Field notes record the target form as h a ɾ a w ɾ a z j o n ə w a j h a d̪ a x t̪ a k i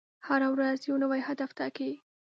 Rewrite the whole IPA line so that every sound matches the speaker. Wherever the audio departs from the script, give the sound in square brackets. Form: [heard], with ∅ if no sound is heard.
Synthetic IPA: h a ɾ a w ɾ a z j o n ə w a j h a d̪ a [f] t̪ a k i